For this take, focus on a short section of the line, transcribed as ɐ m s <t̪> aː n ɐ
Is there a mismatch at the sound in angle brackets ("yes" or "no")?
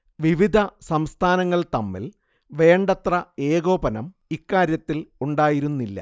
yes